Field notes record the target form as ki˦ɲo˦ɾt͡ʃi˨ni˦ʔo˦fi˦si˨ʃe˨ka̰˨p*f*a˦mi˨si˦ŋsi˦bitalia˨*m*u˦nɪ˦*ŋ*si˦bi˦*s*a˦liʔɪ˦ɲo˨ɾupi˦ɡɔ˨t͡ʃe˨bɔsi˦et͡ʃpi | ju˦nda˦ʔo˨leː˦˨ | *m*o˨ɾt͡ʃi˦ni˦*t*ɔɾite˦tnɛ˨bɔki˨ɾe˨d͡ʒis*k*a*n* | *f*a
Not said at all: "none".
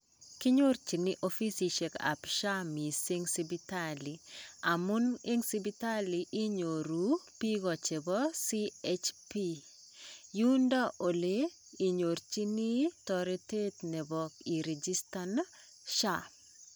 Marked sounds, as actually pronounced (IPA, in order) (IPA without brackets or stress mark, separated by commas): ʃ, m, ŋ, t, ɲ, t, t, n, ʃ